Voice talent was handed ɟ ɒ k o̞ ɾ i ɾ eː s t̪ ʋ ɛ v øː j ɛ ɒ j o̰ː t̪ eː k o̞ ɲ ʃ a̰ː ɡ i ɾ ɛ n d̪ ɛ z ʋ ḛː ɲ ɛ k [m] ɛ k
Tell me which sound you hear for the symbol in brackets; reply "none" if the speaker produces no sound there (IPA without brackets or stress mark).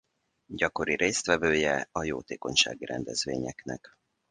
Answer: n